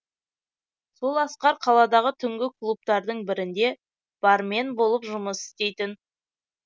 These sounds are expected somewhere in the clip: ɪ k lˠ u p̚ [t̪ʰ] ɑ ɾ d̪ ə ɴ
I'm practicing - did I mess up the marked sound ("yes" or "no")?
yes